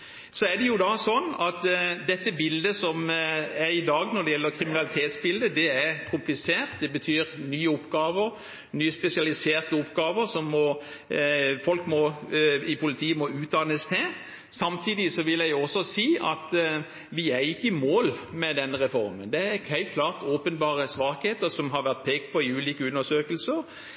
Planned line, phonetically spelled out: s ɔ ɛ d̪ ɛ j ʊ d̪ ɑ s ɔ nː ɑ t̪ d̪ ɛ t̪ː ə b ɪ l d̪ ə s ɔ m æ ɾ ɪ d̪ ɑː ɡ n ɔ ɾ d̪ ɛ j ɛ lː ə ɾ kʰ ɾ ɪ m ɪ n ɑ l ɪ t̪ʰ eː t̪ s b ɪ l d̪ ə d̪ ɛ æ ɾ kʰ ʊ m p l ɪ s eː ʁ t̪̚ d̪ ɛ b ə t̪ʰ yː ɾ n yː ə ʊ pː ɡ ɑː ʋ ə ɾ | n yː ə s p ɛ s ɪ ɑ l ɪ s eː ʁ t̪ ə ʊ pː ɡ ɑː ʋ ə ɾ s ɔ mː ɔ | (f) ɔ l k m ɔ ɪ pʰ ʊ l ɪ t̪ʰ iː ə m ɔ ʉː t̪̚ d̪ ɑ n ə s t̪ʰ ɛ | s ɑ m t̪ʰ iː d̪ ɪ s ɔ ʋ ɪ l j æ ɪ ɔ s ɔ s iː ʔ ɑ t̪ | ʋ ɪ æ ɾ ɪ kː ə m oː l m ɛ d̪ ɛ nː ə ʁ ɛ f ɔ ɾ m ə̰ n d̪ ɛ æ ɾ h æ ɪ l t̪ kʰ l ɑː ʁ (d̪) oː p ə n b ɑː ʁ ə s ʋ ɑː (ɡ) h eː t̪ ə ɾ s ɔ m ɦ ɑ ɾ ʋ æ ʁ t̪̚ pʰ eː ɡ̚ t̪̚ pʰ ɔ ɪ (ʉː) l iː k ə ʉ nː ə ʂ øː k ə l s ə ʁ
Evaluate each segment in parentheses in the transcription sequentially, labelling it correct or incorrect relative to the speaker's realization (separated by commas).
correct, incorrect, incorrect, correct